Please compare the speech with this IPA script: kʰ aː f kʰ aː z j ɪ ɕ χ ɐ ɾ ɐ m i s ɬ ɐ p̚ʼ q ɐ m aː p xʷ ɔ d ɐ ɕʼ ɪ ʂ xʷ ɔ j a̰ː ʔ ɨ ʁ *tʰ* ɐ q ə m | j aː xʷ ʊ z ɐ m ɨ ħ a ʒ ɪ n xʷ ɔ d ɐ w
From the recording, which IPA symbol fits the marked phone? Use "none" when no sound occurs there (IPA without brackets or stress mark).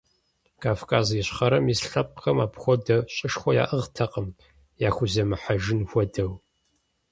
tʰ